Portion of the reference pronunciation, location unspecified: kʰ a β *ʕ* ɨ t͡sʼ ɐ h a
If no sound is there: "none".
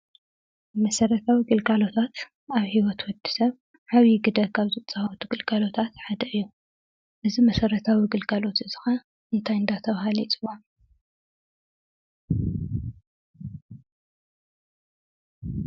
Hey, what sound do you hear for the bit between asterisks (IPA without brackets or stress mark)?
z